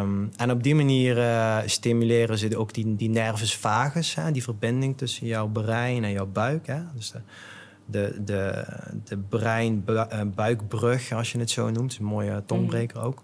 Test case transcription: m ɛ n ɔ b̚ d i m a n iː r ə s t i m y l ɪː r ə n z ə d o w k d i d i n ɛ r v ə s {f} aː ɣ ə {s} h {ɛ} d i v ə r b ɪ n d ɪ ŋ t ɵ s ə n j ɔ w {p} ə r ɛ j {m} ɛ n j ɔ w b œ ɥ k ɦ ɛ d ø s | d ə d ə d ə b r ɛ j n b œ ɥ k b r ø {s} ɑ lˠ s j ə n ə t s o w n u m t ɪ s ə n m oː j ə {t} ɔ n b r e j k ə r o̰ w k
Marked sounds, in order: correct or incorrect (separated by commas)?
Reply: correct, correct, correct, incorrect, incorrect, incorrect, correct